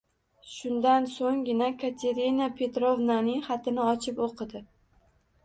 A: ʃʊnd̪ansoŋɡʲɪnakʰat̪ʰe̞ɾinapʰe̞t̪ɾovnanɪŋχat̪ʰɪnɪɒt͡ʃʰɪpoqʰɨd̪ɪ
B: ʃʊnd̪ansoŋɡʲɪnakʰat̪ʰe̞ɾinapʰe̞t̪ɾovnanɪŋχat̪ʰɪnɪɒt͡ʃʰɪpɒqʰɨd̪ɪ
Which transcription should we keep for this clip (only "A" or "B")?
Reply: A